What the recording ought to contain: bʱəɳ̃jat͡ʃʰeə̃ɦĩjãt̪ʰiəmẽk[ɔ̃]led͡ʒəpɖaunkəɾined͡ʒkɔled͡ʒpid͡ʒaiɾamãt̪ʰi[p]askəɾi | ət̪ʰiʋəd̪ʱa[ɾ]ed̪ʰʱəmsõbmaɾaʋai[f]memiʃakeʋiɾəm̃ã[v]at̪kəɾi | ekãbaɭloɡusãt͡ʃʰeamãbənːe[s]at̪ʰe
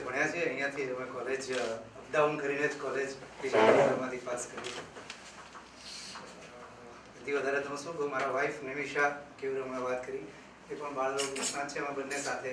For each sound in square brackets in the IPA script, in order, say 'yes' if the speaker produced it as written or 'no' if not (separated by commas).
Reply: no, yes, yes, yes, no, yes